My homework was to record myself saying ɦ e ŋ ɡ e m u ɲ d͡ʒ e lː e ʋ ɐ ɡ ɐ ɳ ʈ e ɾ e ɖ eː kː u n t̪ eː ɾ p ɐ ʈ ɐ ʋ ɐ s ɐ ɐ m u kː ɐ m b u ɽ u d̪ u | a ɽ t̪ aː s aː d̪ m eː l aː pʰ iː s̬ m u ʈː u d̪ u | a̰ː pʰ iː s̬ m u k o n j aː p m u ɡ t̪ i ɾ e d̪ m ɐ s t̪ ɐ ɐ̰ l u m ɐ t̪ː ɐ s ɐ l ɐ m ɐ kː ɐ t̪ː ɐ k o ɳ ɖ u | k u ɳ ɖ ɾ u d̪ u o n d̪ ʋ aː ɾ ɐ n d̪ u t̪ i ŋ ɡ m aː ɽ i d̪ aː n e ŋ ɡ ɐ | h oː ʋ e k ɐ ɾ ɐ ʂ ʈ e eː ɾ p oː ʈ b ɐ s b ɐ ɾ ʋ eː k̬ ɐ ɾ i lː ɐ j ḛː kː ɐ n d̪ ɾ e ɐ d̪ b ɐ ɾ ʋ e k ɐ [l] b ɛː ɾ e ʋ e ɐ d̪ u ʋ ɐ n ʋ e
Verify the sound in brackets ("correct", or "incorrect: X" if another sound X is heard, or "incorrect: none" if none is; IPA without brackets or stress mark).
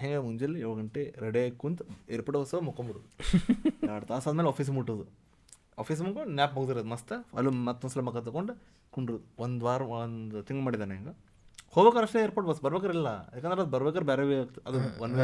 incorrect: ɾ